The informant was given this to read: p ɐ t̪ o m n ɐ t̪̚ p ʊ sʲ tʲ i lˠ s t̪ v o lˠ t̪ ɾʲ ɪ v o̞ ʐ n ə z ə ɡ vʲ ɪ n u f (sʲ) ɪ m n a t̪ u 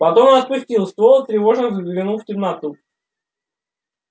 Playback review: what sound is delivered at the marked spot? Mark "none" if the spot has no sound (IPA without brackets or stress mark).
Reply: tʲ